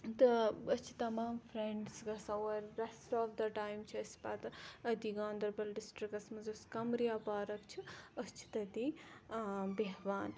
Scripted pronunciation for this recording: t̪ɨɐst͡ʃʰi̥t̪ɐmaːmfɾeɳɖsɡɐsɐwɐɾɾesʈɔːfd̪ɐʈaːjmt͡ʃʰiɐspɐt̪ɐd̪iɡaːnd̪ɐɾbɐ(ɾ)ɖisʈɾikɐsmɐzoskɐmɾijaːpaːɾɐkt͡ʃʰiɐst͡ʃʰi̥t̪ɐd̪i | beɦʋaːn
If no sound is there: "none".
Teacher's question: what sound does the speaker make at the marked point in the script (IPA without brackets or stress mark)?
l